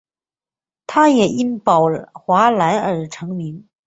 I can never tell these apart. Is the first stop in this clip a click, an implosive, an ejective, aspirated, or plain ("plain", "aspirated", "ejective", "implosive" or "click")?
aspirated